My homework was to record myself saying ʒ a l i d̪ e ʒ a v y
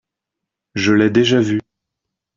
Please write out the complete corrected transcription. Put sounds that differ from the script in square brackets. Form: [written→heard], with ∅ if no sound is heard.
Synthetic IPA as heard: ʒ [a→ə] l [i→ɛ] d̪ e ʒ a v y